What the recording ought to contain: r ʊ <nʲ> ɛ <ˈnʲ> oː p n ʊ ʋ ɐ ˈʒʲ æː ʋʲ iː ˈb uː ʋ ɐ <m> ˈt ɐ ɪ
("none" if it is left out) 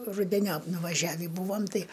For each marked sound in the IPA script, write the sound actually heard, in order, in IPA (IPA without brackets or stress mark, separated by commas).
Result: dʲ, nʲ, m